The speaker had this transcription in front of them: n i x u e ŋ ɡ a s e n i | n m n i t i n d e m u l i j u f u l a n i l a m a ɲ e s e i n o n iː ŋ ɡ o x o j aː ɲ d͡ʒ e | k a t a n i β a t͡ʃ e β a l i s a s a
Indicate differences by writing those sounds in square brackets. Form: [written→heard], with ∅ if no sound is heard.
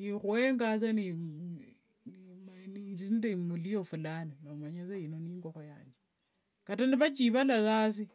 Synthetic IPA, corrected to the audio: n i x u e ŋ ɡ a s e n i | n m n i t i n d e m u l i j [u→o] f u l a n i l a m a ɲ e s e i n o n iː ŋ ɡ o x o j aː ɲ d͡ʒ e | k a t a n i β a t͡ʃ [e→i] β a l [i→a] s a s [a→i]